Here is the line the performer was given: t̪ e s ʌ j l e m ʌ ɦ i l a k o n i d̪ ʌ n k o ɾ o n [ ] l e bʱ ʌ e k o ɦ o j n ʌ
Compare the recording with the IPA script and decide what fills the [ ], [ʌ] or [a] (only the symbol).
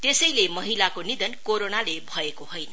a